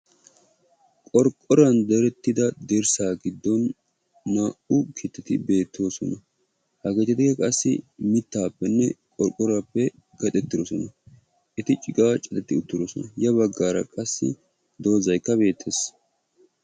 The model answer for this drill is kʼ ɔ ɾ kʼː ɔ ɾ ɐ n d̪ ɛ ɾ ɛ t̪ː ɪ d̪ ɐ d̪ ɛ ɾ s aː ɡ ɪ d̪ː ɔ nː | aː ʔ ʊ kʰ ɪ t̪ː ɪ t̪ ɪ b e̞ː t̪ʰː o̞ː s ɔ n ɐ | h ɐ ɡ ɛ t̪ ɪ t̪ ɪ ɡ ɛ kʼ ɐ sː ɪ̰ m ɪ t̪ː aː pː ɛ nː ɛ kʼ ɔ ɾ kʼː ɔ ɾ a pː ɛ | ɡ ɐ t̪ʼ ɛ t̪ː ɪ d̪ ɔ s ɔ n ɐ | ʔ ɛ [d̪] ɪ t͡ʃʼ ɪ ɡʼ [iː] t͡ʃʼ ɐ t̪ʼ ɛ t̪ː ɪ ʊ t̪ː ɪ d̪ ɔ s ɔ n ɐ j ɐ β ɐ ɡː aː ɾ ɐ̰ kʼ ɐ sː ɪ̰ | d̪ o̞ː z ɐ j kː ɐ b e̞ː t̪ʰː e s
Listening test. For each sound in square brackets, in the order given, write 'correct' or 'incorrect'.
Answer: incorrect: t̪, incorrect: aː

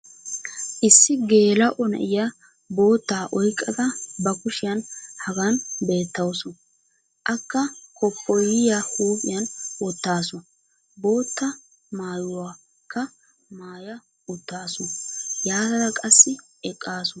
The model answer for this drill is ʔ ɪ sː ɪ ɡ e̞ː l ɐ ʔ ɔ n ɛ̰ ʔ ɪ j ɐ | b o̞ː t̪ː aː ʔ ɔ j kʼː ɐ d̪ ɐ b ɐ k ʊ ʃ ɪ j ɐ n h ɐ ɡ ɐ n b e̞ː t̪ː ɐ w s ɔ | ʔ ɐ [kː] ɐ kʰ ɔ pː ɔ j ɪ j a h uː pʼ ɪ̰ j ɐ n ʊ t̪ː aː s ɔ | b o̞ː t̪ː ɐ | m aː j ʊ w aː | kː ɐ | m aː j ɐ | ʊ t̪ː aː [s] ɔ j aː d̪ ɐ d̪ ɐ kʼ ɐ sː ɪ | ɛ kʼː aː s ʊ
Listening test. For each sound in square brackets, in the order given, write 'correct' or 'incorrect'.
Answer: correct, correct

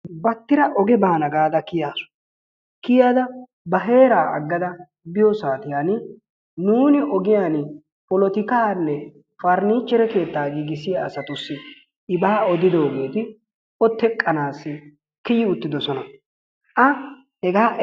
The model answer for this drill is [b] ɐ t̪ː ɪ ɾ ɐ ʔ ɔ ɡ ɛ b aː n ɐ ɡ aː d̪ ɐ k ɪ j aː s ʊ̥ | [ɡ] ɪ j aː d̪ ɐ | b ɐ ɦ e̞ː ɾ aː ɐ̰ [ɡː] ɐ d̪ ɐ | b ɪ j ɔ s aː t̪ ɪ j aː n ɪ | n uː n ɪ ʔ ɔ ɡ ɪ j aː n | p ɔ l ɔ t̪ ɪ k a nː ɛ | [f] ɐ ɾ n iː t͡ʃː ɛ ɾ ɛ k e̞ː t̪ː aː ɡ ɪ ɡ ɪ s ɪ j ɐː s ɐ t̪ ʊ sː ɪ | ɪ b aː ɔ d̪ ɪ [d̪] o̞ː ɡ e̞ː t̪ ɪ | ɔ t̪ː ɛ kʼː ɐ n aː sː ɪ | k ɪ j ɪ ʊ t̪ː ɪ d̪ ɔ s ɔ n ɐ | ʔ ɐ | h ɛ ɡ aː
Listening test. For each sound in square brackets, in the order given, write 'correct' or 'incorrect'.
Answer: correct, incorrect: k, correct, correct, correct

